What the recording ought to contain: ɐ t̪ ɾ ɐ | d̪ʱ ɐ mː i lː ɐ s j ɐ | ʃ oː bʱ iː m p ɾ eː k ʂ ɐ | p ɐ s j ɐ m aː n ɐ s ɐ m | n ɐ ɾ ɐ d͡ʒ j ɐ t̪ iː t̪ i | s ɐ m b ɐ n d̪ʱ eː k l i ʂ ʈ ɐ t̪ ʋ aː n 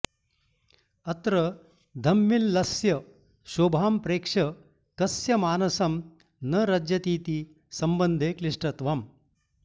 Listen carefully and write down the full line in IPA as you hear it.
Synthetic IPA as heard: ɐ t̪ ɾ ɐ | d̪ʱ ɐ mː i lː ɐ s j ɐ | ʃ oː bʱ aː m p ɾ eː k ʂ ɐ | k ɐ s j ɐ m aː n ɐ s ɐ m | n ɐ ɾ ɐ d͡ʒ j ɐ t̪ iː t̪ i | s ɐ m b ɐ n d̪ʱ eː k l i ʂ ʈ ɐ t̪ ʋ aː m

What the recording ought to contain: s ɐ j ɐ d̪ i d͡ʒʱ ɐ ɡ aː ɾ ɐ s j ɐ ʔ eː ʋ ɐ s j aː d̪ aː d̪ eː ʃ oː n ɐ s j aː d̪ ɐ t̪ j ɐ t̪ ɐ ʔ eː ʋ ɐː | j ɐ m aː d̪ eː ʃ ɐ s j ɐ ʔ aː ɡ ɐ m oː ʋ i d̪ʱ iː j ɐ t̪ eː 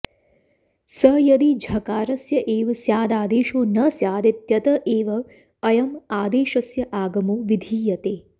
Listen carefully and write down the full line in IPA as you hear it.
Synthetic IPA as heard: s ɐ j ɐ d̪ i d͡ʒʱ ɐ k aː ɾ ɐ s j ɐ ʔ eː ʋ ɐ s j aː d̪ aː d̪ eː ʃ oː n ɐ s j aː d̪ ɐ t̪ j ɐ t̪ ɐ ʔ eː ʋ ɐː | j ɐ m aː d̪ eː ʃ ɐ s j ɐ ʔ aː ɡ ɐ m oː ʋ i d̪ʱ iː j ɐ t̪ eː

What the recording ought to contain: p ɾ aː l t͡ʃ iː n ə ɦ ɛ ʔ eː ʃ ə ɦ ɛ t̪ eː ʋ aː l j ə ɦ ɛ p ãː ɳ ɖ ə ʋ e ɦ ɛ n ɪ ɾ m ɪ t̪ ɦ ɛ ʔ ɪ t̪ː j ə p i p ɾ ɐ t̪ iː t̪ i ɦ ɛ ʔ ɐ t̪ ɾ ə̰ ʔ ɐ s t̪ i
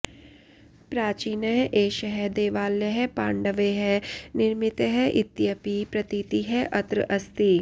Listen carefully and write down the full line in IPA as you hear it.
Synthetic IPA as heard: p ɾ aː t͡ʃ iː n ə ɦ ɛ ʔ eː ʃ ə ɦ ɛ d̪ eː ʋ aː l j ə ɦ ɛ p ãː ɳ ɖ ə ʋ e ɦ ɛ n ɪ ɾ m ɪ t̪ ɦ ɛ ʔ ɪ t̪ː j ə p i p ɾ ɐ t̪ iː t̪ i ɦ ɛ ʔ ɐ t̪ ɾ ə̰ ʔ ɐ s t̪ i

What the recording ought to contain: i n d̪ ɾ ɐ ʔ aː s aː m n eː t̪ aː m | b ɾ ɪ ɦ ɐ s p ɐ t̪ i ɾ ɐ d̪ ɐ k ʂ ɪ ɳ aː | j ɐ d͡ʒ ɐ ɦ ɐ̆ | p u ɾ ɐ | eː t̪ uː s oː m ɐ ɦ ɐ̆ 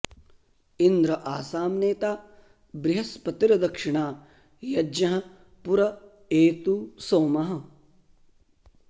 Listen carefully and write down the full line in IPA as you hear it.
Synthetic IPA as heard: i n d̪ ɾ ɐ ʔ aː s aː m n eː t̪ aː | b ɾ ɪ ɦ ɐ s p ɐ t̪ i ɾ ɐ d̪ ɐ k ʂ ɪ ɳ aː | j ɐ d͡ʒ ɐ ɦ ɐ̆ | p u ɾ ɐ | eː t̪ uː s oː m ɐ ɦ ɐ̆

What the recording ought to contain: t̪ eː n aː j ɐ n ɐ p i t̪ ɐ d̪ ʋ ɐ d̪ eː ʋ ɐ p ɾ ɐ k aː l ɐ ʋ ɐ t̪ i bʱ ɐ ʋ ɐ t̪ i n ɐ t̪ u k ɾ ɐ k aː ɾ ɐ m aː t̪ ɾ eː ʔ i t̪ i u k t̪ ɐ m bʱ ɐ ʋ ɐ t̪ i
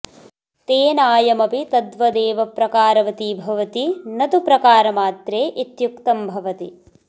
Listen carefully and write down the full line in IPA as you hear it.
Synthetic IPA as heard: t̪ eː n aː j ɐ m ɐ p i t̪ ɐ d̪ ʋ ɐ d̪ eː ʋ ɐ p ɾ ɐ k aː ɾ ɐ ʋ ɐ t̪ i bʱ ɐ ʋ ɐ t̪ i n ɐ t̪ u p ɾ ɐ k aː ɾ ɐ m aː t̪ ɾ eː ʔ i t̪ j u k t̪ ɐ m bʱ ɐ ʋ ɐ t̪ i

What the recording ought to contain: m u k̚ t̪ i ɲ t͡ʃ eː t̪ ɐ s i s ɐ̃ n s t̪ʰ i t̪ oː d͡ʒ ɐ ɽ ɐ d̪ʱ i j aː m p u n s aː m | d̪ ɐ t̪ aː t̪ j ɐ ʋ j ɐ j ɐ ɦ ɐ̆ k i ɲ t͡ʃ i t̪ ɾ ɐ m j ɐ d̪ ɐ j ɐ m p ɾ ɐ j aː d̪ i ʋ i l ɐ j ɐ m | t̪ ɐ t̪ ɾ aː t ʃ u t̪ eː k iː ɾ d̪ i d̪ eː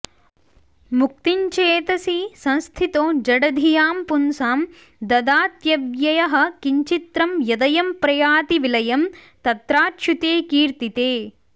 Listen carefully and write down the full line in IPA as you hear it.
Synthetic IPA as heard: m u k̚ t̪ i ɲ t͡ʃ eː t̪ ɐ s i s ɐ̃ n s t̪ʰ i t̪ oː d͡ʒ ɐ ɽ ɐ d̪ʱ i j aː m p u n s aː m | d̪ ɐ d̪ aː t̪ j ɐ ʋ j ɐ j ɐ ɦ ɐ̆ k i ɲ t͡ʃ i t̪ ɾ ɐ m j ɐ d̪ ɐ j ɐ m p ɾ ɐ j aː t̪ i ʋ i l ɐ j ɐ m | t̪ ɐ t̪ ɾ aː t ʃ u t̪ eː k iː ɾ t̪ i t̪ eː

